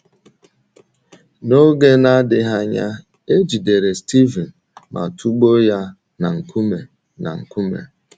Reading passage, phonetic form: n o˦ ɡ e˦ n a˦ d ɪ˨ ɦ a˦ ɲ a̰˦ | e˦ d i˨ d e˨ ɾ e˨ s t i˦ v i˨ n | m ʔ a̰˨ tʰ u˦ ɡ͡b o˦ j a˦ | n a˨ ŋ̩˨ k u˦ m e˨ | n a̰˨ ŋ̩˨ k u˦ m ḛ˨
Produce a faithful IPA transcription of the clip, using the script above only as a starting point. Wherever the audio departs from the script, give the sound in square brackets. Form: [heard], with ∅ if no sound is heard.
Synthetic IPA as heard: n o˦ ɡ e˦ n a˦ d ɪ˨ ɦ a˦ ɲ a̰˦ | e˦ [d͡ʒ] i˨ d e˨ ɾ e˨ s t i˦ v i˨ n | m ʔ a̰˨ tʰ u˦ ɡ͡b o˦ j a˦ | n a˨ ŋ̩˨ k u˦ m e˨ | n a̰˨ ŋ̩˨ k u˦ m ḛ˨